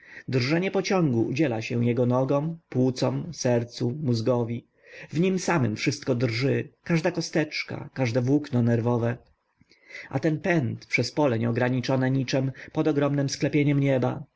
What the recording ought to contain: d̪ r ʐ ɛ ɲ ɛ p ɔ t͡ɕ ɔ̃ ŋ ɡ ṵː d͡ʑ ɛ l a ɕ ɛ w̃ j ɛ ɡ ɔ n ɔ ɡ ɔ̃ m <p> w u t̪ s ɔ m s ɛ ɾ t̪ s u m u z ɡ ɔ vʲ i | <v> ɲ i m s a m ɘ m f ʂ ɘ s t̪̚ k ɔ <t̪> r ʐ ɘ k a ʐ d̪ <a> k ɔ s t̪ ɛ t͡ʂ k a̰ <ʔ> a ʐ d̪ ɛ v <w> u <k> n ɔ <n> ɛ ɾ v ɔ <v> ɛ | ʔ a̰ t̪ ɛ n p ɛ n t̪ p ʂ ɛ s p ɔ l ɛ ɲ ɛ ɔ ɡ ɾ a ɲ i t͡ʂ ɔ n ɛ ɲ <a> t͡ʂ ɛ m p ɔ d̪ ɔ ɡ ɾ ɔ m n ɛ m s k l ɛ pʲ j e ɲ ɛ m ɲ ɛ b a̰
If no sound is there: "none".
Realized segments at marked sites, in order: p, v, d̪, a, k, w, k, n, v, i

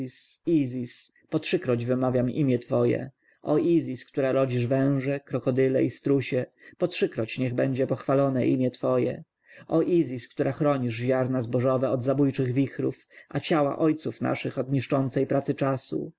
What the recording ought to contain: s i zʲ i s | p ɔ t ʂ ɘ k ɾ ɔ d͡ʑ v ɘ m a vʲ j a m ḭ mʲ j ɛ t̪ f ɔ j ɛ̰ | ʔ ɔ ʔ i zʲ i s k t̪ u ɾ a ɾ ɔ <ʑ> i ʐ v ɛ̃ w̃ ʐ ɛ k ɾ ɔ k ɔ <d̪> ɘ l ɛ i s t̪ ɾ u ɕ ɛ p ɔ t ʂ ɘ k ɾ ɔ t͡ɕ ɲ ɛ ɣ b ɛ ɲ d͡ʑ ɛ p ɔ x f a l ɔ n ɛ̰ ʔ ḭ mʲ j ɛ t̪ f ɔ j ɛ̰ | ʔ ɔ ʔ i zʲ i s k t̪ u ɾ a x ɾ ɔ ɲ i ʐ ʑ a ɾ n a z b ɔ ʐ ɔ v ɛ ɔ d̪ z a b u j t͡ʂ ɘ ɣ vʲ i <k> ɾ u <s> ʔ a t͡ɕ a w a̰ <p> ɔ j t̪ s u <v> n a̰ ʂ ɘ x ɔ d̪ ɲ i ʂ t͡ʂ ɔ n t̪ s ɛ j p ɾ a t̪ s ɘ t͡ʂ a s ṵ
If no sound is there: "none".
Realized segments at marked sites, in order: d͡ʑ, d̪, x, f, ʔ, f

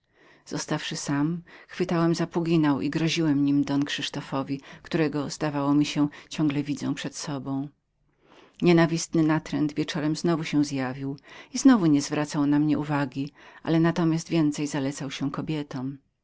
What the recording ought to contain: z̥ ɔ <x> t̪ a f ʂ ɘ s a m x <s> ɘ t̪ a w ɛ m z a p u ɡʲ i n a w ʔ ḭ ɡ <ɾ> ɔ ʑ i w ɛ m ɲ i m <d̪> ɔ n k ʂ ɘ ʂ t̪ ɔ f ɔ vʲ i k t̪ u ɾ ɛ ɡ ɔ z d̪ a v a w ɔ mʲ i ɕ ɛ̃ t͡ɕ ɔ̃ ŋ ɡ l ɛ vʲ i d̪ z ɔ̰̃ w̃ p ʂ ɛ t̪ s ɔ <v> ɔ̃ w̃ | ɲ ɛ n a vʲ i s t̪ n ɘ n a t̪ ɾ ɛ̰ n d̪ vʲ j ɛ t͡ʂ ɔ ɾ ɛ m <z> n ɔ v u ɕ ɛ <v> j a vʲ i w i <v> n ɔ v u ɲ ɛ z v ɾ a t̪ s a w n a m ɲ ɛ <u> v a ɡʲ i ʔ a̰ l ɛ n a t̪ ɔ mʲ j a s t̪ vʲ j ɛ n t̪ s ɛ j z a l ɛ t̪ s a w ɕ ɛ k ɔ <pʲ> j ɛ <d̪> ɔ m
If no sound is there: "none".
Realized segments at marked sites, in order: s, f, ɾ, d̪, b, z, z, z, u, bʲ, t̪

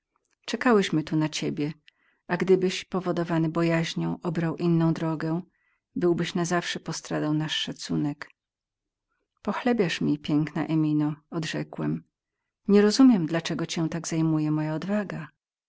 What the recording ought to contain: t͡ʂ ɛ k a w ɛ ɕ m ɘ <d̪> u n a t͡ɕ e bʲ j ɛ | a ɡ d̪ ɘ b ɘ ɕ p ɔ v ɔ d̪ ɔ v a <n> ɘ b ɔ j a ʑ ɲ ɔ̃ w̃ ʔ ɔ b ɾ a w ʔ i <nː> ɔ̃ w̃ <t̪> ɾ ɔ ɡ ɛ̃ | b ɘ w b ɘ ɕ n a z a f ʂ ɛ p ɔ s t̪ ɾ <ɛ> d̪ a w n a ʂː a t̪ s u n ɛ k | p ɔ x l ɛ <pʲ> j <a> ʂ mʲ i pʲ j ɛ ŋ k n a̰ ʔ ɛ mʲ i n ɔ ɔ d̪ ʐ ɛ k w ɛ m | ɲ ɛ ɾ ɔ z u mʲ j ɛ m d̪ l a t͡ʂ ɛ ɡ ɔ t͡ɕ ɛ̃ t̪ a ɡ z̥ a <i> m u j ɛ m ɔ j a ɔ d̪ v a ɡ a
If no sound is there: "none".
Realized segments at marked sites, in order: t̪, n, nː, d̪, a, bʲ, a, j

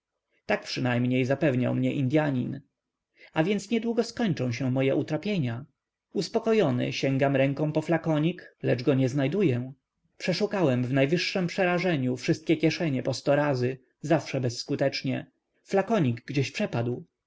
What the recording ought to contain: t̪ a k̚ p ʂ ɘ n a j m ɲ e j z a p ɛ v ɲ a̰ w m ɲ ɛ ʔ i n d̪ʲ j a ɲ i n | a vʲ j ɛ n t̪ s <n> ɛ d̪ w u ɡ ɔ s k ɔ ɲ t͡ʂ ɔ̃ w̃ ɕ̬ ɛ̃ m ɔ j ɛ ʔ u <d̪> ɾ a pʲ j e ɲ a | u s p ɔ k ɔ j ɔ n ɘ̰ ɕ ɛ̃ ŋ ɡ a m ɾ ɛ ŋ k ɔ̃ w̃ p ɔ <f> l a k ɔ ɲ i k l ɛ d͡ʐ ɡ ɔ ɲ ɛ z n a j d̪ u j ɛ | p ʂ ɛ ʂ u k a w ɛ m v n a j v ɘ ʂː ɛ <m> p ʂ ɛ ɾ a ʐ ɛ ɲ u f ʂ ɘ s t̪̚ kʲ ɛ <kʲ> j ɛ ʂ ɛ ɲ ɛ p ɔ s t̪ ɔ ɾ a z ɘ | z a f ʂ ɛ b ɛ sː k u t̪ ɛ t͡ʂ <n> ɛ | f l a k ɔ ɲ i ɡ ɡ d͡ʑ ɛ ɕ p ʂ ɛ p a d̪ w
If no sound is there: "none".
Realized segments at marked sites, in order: ɲ, t̪, f, m, kʲ, ɲ

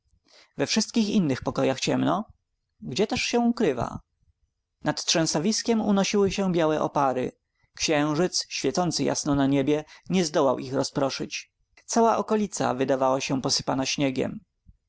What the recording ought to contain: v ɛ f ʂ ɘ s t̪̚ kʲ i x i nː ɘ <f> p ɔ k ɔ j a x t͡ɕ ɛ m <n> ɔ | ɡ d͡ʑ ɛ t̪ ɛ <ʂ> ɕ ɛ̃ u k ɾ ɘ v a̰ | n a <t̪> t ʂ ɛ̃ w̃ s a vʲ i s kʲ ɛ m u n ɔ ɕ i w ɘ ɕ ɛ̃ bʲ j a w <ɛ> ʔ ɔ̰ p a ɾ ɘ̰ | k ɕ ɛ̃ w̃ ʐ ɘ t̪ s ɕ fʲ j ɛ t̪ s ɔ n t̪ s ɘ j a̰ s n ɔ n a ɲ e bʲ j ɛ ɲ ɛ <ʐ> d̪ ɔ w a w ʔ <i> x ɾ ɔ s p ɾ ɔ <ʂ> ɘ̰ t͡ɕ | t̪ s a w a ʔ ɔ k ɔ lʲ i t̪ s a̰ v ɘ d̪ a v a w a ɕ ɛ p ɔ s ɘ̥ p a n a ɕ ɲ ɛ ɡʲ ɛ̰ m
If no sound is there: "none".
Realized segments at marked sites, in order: x, n, ʂ, t̪, ɛ, z, i, ʂ

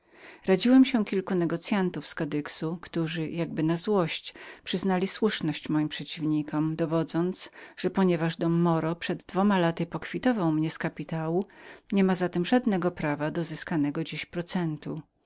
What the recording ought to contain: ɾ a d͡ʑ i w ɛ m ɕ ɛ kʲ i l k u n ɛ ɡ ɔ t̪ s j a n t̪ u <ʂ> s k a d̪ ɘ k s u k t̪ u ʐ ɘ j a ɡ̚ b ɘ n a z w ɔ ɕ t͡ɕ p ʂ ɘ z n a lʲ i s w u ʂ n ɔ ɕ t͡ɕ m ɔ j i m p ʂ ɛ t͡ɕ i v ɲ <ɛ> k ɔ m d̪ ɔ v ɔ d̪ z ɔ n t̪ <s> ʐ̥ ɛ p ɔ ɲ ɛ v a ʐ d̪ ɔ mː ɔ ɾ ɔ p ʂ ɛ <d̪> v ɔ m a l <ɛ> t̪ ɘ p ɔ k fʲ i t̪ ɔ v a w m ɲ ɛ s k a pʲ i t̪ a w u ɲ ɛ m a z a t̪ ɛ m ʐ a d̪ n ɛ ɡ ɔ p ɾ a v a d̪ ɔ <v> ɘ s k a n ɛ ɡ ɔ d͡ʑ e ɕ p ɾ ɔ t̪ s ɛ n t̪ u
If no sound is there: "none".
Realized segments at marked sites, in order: f, i, s, d̪ː, a, z

